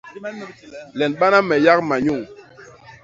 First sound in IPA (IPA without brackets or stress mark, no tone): l